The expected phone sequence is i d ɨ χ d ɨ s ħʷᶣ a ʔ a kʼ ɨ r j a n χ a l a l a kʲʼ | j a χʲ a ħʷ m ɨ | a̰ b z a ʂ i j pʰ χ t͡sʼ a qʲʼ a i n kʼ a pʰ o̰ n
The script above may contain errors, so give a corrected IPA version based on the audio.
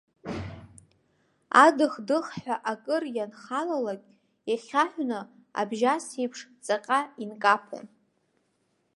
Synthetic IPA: a d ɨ χ d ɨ χ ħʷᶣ a ʔ a kʼ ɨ r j a n χ a l a l a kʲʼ | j a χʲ a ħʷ n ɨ | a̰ b ʒ a s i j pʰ ʂ t͡sʼ a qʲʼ a i n kʼ a pʰ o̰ n